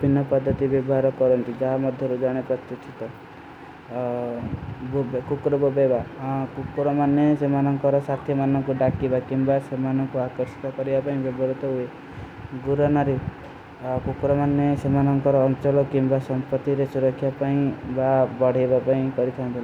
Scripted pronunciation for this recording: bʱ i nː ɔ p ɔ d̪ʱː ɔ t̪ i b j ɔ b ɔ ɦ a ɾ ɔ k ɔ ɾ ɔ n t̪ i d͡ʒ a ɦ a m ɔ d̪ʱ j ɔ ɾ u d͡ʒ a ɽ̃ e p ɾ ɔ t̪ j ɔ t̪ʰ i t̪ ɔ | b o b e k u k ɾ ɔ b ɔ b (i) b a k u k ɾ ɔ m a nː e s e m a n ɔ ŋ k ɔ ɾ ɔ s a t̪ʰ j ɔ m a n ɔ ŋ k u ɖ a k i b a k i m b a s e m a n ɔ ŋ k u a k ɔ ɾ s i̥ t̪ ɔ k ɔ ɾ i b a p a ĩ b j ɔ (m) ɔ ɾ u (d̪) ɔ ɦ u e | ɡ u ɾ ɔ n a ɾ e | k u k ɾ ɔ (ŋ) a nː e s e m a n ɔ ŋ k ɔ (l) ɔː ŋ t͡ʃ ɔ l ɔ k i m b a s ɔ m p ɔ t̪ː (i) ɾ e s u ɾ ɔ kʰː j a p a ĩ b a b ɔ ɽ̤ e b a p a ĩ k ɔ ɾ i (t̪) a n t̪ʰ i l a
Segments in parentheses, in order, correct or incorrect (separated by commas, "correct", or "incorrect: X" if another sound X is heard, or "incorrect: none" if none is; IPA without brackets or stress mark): incorrect: e, incorrect: b, incorrect: t̪, incorrect: m, incorrect: ɾ, correct, incorrect: t̪ʰ